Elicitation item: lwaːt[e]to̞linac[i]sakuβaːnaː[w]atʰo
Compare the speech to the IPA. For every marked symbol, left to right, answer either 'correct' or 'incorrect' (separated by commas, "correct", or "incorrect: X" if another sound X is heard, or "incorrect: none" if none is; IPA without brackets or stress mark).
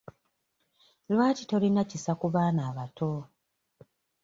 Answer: incorrect: i, correct, incorrect: β